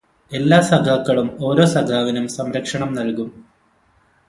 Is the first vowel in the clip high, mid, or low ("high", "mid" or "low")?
mid